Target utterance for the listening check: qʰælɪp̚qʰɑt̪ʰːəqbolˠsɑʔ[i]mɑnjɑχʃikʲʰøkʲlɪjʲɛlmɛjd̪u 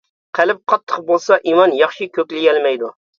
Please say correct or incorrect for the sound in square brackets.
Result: correct